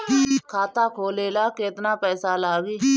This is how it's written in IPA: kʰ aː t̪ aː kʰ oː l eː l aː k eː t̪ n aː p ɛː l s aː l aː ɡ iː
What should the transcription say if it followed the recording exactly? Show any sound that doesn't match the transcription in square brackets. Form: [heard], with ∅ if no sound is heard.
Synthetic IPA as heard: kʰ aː t̪ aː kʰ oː l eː l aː k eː t̪ n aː p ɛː [∅] s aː l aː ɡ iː